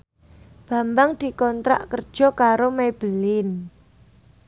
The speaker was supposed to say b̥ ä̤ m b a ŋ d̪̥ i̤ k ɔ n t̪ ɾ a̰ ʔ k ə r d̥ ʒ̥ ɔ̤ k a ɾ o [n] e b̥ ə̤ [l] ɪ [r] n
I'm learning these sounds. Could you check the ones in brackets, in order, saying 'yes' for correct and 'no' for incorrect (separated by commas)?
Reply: no, yes, no